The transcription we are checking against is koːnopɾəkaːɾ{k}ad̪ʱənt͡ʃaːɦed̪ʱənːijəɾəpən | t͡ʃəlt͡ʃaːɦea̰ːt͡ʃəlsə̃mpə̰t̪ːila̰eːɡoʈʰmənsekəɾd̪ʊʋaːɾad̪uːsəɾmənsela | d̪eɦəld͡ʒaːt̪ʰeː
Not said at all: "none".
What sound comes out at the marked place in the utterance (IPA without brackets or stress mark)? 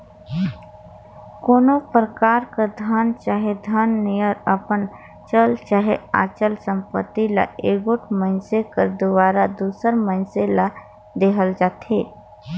k